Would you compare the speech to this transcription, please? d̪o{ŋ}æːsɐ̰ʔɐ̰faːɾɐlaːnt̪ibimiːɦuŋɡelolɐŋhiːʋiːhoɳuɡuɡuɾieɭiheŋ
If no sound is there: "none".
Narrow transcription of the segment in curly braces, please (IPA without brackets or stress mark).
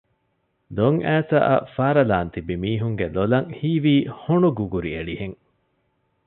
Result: ŋ